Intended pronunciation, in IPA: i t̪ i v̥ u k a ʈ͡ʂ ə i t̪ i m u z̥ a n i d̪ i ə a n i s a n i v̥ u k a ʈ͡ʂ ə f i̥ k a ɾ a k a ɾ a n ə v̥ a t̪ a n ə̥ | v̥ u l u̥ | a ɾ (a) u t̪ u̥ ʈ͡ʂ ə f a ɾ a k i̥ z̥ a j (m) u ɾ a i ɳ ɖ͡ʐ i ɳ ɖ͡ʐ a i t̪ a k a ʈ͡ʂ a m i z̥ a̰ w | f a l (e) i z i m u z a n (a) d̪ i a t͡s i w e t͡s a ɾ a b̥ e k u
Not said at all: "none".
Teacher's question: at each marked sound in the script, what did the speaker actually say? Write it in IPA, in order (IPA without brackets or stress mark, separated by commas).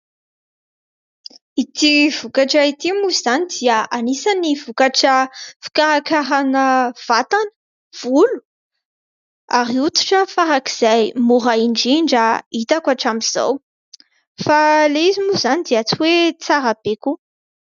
i, m, e, i